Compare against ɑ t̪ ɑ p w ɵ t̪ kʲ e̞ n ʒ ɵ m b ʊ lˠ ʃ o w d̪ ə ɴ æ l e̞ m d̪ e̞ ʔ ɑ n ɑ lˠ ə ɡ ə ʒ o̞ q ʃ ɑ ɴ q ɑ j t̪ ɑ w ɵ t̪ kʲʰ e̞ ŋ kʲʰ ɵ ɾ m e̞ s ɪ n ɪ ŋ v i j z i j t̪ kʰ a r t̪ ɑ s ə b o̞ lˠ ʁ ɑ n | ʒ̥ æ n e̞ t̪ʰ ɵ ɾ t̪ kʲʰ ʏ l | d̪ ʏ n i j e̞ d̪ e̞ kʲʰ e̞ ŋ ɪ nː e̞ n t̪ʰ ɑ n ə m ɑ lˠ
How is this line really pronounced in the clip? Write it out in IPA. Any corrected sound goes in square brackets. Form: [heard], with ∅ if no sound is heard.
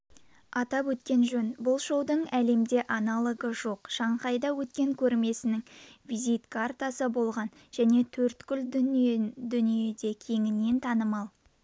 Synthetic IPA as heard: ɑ t̪ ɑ p w ɵ t̪ kʲ e̞ n ʒ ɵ [n] b ʊ lˠ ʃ o w d̪ ə ɴ æ l e̞ m d̪ e̞ ʔ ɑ n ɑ lˠ ə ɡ ə ʒ o̞ q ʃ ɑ ɴ q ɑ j [d̪] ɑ w ɵ t̪ [kʲ] e̞ ŋ kʲʰ ɵ ɾ m e̞ s ɪ n ɪ ŋ v i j z i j t̪ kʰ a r t̪ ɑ s ə b o̞ lˠ ʁ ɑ n | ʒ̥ æ n e̞ t̪ʰ ɵ ɾ t̪ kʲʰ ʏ l | d̪ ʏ n i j e̞ d̪ e̞ kʲʰ e̞ ŋ ɪ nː e̞ n t̪ʰ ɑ n ə m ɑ lˠ

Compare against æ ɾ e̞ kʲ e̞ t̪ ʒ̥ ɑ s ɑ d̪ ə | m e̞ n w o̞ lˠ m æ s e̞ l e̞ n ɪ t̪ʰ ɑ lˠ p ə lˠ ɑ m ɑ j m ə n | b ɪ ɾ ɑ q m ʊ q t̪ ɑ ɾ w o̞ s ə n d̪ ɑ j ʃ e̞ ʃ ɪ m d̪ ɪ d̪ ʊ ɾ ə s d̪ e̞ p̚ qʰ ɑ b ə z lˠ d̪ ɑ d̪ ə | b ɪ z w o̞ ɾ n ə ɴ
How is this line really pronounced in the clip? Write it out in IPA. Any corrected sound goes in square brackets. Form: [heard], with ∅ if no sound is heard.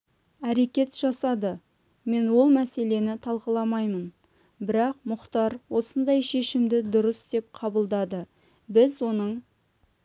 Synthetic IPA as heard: æ ɾ e̞ kʲ e̞ t̪ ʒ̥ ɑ s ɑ d̪ ə | m e̞ n w o̞ lˠ m æ s e̞ l e̞ n ɪ t̪ʰ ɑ lˠ [q] ə lˠ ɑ m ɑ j m ə n | b ɪ ɾ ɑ q m ʊ q t̪ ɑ ɾ w o̞ s ə n d̪ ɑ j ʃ e̞ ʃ ɪ m d̪ ɪ d̪ ʊ ɾ ə s d̪ e̞ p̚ qʰ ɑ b ə [∅] lˠ d̪ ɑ d̪ ə | b ɪ z w o̞ [∅] n ə ɴ

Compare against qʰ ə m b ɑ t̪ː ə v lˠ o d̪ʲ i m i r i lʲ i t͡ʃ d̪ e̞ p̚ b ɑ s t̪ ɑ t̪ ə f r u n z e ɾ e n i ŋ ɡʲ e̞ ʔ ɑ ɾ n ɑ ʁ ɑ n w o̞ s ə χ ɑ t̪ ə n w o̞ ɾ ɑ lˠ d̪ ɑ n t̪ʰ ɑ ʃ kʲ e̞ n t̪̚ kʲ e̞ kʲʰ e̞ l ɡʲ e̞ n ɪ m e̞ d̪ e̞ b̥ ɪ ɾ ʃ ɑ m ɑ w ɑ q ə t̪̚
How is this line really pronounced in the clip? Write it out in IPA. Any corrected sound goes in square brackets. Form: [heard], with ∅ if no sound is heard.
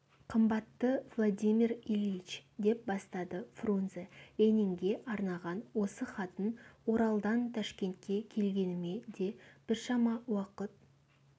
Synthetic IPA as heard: qʰ ə m b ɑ t̪ː ə v lˠ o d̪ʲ i m i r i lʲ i t͡ʃ d̪ e̞ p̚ b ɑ s t̪ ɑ [d̪] ə f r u n z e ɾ e n i ŋ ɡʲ e̞ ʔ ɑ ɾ n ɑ ʁ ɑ n w o̞ s ə χ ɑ t̪ ə n w o̞ ɾ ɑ lˠ d̪ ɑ n t̪ʰ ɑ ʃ kʲ e̞ n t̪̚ kʲ e̞ kʲʰ e̞ l ɡʲ e̞ n ɪ m e̞ d̪ e̞ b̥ ɪ ɾ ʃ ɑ m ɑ w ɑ q ə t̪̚

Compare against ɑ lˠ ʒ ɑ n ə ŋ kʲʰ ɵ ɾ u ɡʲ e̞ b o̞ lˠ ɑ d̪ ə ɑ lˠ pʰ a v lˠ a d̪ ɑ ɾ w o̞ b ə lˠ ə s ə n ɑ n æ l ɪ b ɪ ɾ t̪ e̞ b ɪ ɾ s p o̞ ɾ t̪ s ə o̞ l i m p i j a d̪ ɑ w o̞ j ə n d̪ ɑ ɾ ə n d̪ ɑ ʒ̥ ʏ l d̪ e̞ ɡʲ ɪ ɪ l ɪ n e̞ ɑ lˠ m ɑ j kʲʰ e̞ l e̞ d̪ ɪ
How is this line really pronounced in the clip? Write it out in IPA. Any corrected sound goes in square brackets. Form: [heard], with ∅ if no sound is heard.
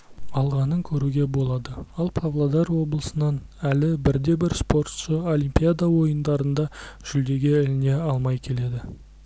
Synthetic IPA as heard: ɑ lˠ [ʁ] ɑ n ə ŋ kʲʰ ɵ ɾ u ɡʲ e̞ b o̞ lˠ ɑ d̪ ə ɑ lˠ pʰ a v lˠ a d̪ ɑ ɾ w o̞ b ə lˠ ə s ə n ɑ n æ l ɪ b ɪ ɾ [d̪] e̞ b ɪ ɾ s p o̞ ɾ t̪ [ʃ] ə o̞ l i m p i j a d̪ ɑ w o̞ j ə n d̪ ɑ ɾ ə n d̪ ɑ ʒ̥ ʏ l d̪ e̞ ɡʲ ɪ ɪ l ɪ n e̞ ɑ lˠ m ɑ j kʲʰ e̞ l e̞ d̪ ɪ

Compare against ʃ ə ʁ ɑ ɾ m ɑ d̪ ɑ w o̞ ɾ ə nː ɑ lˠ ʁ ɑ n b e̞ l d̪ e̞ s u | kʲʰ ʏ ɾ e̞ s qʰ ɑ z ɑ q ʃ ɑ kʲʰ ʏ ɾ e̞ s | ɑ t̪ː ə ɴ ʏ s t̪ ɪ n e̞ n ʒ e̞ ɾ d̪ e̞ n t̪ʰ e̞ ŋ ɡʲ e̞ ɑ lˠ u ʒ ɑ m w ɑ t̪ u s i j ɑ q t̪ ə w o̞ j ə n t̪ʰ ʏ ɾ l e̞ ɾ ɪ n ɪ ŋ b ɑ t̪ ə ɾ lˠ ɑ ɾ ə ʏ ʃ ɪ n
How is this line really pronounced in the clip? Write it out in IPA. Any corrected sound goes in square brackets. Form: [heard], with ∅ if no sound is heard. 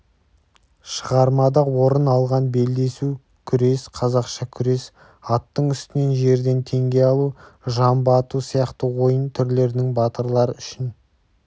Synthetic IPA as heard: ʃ ə ʁ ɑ ɾ m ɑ d̪ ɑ w o̞ ɾ ə [n] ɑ lˠ ʁ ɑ n b e̞ l d̪ e̞ s u | kʲʰ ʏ ɾ e̞ s qʰ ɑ z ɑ q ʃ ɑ kʲʰ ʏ ɾ e̞ s | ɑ t̪ː ə ɴ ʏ s t̪ ɪ n e̞ n ʒ e̞ ɾ d̪ e̞ n t̪ʰ e̞ ŋ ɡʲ e̞ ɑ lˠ u ʒ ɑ m [b] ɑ t̪ u s i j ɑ q t̪ ə w o̞ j ə n t̪ʰ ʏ ɾ l e̞ ɾ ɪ n ɪ ŋ b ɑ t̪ ə ɾ lˠ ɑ ɾ ə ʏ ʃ ɪ n

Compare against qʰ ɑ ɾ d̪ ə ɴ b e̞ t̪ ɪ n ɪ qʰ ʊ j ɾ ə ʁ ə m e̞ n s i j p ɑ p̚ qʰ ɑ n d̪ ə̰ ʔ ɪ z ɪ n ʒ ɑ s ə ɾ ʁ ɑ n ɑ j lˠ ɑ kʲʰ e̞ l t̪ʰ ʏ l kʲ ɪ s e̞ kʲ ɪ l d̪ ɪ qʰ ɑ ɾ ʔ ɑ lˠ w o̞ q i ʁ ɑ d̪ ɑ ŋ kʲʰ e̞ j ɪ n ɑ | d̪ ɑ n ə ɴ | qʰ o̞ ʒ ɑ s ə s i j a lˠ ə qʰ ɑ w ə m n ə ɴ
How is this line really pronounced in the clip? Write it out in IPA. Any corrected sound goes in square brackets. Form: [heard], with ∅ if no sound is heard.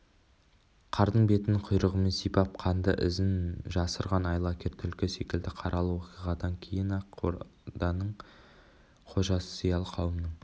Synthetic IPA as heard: qʰ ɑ ɾ d̪ ə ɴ b e̞ t̪ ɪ n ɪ qʰ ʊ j ɾ ə ʁ ə m e̞ n s i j p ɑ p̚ qʰ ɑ n d̪ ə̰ ʔ ɪ z ɪ n ʒ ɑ s ə ɾ ʁ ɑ n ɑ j lˠ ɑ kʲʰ e̞ [ɾ] t̪ʰ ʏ l kʲ ɪ s e̞ kʲ ɪ l d̪ ɪ qʰ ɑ ɾ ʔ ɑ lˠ w o̞ q i ʁ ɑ d̪ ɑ ŋ kʲʰ e̞ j ɪ n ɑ | d̪ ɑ n ə ɴ | qʰ o̞ ʒ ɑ s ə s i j [ɑ] lˠ ə qʰ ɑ w ə m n ə ɴ

